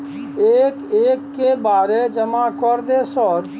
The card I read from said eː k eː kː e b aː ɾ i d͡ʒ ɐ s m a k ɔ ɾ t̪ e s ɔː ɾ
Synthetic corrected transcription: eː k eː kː e b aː ɾ e d͡ʒ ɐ m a k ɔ ɾ d̪ e s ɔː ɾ